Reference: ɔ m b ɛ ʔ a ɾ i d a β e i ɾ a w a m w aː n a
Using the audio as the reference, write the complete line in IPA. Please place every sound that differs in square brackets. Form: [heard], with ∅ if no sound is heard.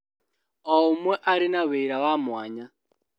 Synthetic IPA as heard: ɔ m [w] ɛ ʔ a ɾ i [n] a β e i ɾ a w a m w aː [ɲ] a